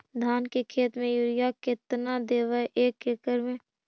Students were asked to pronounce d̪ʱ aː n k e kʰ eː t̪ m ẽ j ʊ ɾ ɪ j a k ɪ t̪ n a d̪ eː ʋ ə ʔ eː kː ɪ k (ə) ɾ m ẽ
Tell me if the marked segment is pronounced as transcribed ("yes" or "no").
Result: yes